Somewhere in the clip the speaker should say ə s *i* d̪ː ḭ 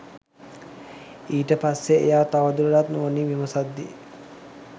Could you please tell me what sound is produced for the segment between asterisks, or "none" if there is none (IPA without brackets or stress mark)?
a